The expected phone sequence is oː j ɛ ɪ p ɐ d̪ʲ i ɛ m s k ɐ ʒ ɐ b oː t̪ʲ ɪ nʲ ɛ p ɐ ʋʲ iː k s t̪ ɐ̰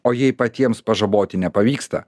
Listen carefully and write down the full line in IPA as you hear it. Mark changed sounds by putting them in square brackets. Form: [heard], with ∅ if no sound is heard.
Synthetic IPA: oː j ɛ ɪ p ɐ [t̪ʲ] i ɛ m s [p] ɐ ʒ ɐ b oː t̪ʲ ɪ nʲ ɛ p ɐ ʋʲ iː k s t̪ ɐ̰